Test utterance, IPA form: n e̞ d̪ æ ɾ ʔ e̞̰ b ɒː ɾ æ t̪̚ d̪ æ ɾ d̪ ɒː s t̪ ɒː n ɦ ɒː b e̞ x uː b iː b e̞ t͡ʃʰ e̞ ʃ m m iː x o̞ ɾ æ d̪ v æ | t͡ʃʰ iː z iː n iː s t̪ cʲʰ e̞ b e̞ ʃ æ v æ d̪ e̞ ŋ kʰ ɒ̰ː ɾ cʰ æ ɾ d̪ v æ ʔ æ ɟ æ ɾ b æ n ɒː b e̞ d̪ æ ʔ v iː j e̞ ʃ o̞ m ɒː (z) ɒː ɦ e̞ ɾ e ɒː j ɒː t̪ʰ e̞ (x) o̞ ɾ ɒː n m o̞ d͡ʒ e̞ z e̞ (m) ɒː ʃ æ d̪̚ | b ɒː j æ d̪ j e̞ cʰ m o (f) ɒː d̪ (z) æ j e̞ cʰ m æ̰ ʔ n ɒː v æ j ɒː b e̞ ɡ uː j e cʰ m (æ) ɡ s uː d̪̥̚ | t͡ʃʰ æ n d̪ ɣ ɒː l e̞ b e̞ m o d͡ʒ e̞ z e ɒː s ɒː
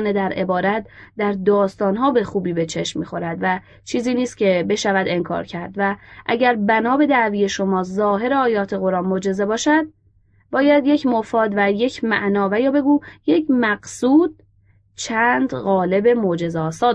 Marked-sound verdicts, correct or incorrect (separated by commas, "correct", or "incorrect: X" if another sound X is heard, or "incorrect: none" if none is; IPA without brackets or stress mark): correct, incorrect: ɣ, incorrect: b, correct, incorrect: v, correct